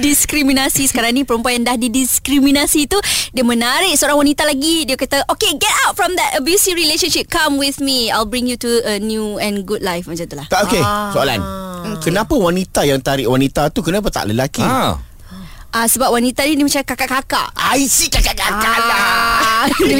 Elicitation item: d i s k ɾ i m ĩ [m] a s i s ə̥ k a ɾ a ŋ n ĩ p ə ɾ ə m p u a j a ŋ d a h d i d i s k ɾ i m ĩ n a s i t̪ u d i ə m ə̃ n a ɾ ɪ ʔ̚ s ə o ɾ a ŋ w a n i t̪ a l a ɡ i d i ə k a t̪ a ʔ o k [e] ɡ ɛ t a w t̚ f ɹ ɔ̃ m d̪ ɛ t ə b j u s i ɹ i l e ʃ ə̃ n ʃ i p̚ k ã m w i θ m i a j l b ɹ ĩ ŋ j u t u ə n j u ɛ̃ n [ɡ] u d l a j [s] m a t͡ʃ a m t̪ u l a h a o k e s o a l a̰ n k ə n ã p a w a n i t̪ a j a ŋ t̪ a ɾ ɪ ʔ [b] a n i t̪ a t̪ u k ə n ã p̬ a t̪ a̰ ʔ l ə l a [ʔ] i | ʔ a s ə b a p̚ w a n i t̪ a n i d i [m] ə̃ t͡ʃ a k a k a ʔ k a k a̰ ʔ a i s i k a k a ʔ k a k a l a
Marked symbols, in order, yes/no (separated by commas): no, yes, yes, no, no, no, yes